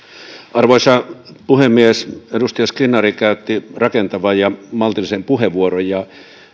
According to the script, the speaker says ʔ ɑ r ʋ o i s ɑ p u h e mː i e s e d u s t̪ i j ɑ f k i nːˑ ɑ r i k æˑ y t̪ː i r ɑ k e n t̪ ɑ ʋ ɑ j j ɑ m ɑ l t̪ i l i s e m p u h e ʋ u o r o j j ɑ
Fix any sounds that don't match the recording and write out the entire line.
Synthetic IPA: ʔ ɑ r ʋ o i s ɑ p u h e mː i e s e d u s t̪ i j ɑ s k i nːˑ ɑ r i k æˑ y t̪ː i r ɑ k e n t̪ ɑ ʋ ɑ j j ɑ m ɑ l t̪ i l i s e m p u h e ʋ u o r o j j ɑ

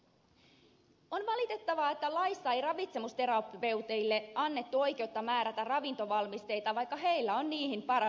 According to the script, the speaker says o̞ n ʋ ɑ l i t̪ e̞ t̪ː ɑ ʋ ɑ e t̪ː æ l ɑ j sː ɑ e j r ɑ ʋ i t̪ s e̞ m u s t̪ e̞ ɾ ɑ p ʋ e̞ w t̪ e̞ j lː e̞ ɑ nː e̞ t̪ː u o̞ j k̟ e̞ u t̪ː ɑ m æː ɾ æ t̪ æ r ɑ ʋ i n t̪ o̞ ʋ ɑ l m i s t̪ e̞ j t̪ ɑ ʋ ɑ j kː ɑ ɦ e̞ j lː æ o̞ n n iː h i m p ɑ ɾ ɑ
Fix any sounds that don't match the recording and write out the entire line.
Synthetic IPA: o̞ n ʋ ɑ l i t̪ e̞ t̪ː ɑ ʋ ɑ e t̪ː æ l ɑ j sː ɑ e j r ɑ ʋ i t̪ s e̞ m u s t̪ e̞ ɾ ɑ p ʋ e̞ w t̪ e̞ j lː e̞ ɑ nː e̞ t̪ː u o̞ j k̟ e̞ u t̪ː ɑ m æː ɾ æ t̪ æ r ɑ ʋ i n t̪ o̞ ʋ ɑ l m i s t̪ e̞ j t̪ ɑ ʋ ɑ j kː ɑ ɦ e̞ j lː æ o̞ n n iː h i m p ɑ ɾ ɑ

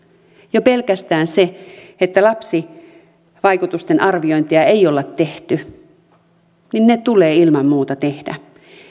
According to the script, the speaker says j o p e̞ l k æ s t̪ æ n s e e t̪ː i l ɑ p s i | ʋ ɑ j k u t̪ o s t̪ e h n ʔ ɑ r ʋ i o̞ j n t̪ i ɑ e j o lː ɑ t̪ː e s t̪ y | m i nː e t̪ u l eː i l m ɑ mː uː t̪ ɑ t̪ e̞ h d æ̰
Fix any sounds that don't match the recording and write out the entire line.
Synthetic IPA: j o p e̞ l k æ s t̪ æː n s e e t̪ː æ l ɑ p s i | ʋ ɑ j k u t̪ u s t̪ e n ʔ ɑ r ʋ i o̞ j n t̪ i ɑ e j o lː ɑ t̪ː e h t̪ y | n i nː e t̪ u l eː i l m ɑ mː uː t̪ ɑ t̪ e̞ h d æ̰

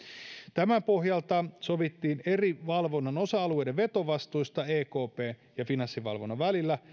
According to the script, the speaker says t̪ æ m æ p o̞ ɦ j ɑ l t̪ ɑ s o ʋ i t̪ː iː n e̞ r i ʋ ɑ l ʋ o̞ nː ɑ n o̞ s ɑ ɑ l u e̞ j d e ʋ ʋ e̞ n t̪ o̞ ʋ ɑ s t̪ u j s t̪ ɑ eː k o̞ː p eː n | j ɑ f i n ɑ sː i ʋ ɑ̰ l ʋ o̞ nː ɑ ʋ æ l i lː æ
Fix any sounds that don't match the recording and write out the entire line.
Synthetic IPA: t̪ æ m æ p o̞ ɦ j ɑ l t̪ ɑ s o ʋ i t̪ː iː n e̞ r i ʋ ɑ l ʋ o̞ nː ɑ n o̞ s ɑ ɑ l u e̞ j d e ʋ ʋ e̞ t̪ o̞ ʋ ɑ s t̪ u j s t̪ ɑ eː k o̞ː p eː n | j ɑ f i n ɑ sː i ʋ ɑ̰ l ʋ o̞ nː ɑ ʋ æ l i lː æ

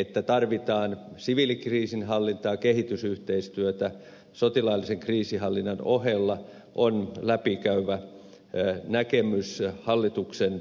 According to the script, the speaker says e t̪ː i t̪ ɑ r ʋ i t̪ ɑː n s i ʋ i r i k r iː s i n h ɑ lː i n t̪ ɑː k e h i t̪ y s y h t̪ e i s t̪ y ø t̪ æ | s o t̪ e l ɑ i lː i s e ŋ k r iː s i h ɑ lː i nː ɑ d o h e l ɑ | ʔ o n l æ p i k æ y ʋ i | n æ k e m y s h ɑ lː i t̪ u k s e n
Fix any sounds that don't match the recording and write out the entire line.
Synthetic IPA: e t̪ː æ t̪ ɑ r ʋ i t̪ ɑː n s i ʋ i l i k r iː s i n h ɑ lː i n t̪ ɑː k e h i t̪ y s y h t̪ e i s t̪ y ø t̪ æ | s o t̪ i l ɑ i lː i s e ŋ k r iː s i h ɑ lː i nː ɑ n o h e lː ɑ | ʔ o n l æ p i k æ y ʋ æ | n æ k e m y s h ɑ lː i t̪ u k s e n

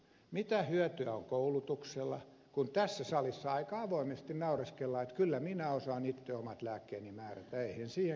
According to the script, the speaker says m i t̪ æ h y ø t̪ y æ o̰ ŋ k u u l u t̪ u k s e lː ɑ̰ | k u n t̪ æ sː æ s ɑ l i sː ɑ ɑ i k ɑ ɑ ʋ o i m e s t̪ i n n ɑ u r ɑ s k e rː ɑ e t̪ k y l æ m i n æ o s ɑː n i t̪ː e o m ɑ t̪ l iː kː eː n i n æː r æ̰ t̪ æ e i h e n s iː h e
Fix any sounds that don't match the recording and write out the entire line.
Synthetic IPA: m i t̪ æ h y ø t̪ y æ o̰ ŋ k o u l u t̪ u k s e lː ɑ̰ | k u n t̪ æ sː æ s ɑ l i sː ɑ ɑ i k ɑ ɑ ʋ o i m e s t̪ i n n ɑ u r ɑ s k e lː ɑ e t̪ k y lː æ m i n æ o s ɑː n i t̪ː e o m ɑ t̪ l æː kː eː n i m æː r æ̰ t̪ æ e i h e n s iː h e

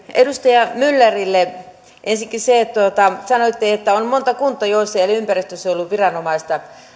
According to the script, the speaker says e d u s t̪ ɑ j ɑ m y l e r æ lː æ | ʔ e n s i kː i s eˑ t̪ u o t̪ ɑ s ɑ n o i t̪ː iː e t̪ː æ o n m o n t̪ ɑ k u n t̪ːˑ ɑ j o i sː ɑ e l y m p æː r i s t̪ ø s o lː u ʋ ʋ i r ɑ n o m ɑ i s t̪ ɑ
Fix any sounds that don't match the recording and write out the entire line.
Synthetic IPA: e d u s t̪ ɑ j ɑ m y lː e r i lː e | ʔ e n s i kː i s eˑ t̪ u o t̪ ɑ s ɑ n o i t̪ː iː e t̪ː æ o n m o n t̪ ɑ k u n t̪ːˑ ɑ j o i sː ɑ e l y m p æ r i s t̪ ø s o lː u ʋ ʋ i r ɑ n o m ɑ i s t̪ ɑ

